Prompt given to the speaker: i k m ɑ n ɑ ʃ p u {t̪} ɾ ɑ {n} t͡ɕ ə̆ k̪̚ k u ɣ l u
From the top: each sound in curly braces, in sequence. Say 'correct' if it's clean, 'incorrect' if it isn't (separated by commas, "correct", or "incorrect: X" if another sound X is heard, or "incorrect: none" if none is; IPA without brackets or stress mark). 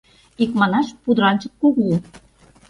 incorrect: d̪, correct